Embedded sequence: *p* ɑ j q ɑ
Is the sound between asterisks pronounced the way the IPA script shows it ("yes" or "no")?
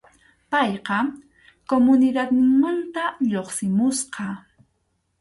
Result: yes